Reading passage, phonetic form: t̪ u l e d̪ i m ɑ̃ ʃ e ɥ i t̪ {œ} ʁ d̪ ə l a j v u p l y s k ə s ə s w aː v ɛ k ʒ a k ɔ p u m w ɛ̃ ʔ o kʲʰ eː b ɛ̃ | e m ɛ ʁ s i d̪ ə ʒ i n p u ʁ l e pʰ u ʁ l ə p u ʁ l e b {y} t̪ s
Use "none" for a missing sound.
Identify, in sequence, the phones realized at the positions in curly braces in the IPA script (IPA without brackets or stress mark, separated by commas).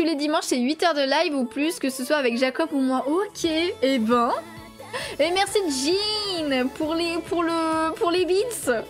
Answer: œ, i